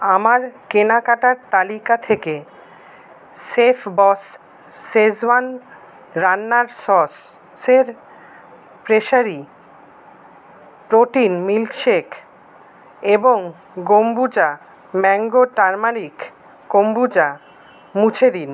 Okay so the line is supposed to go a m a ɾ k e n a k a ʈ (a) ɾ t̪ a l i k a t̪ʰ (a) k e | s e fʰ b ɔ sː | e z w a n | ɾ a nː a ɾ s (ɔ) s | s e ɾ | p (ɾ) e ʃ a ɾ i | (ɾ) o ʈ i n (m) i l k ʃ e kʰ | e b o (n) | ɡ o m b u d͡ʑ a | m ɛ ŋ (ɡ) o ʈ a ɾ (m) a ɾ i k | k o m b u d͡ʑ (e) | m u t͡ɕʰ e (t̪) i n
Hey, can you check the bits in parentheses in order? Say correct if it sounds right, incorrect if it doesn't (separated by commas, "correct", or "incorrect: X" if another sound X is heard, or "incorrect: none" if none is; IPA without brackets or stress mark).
correct, incorrect: e, correct, correct, correct, correct, incorrect: ŋ, correct, correct, incorrect: a, incorrect: d̪